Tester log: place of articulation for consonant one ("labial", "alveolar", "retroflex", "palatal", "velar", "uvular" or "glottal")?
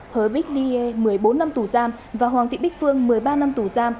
glottal